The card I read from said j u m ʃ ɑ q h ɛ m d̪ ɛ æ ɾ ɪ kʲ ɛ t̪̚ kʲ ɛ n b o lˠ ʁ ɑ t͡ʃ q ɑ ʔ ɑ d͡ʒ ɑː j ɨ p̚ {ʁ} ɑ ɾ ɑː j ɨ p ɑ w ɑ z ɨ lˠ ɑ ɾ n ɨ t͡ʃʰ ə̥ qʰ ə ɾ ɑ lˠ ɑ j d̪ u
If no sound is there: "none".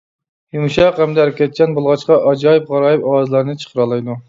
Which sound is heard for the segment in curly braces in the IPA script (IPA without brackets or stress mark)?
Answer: ʁ